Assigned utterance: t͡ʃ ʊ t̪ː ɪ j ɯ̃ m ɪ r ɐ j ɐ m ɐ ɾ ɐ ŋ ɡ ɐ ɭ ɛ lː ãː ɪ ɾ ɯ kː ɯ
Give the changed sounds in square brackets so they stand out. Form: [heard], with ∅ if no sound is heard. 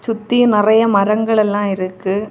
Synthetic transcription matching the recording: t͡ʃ ʊ t̪ː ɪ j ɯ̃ [n] ɪ r ɐ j ɐ m ɐ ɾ ɐ ŋ ɡ ɐ ɭ ɛ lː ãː ɪ ɾ ɯ kː ɯ